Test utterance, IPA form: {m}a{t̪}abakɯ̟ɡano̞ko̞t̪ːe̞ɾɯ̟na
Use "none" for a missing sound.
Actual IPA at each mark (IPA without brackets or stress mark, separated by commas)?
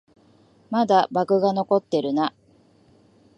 m, d̪